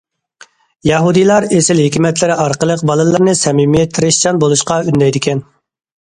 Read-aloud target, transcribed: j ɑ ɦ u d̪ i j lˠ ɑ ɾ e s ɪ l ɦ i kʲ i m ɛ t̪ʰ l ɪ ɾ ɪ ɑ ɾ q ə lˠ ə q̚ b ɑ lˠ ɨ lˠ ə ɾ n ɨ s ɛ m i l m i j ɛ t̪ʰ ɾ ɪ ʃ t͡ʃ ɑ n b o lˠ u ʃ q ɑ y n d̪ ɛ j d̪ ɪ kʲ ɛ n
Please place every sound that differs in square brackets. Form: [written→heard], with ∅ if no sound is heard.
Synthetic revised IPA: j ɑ ɦ u d̪ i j lˠ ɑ ɾ e s ɪ l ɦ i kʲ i m ɛ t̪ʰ l ɪ ɾ ɪ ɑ ɾ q ə lˠ ə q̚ b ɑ lˠ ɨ lˠ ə ɾ n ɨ s ɛ m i [l→∅] m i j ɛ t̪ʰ ɾ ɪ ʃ t͡ʃ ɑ n b o lˠ u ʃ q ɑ y n d̪ ɛ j d̪ ɪ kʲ ɛ n